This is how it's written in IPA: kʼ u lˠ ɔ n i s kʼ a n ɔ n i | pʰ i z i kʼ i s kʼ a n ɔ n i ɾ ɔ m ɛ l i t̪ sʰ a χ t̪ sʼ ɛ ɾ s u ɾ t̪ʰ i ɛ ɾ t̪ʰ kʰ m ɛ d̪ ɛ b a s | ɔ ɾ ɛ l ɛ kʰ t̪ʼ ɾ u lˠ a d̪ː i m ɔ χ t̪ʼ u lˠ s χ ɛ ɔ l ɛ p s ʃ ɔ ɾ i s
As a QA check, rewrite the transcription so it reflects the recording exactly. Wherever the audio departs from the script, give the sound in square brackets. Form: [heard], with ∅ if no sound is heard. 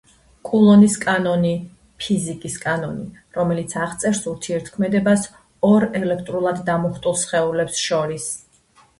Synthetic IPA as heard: kʼ u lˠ ɔ n i s kʼ a n ɔ n i | pʰ i z i kʼ i s kʼ a n ɔ n i ɾ ɔ m ɛ l i t̪ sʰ a [ʁ] t̪ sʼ ɛ ɾ s u ɾ t̪ʰ i ɛ ɾ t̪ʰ kʰ m ɛ d̪ ɛ b a s | ɔ ɾ ɛ l ɛ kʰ t̪ʼ ɾ u lˠ a d̪ː [a] m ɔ χ t̪ʼ u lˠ s χ ɛ [u] l ɛ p s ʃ ɔ ɾ i s